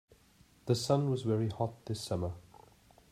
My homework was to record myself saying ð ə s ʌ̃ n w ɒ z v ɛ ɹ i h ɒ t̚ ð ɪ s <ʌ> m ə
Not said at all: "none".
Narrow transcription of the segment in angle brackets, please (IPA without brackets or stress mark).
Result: ʌ